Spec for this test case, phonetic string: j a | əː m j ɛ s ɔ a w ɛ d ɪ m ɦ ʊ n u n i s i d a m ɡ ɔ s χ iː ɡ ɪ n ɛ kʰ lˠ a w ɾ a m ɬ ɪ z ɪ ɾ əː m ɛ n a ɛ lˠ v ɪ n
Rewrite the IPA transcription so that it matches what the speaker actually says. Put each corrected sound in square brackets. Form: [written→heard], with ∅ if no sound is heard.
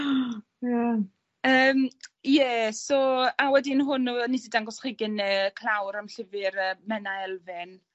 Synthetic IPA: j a | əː m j ɛ s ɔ a w ɛ d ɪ [m→n] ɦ ʊ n u n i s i d a [m→ŋ] ɡ ɔ s χ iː ɡ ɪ n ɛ kʰ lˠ a w ɾ a m ɬ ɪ [z→v] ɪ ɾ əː m ɛ n a ɛ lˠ v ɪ n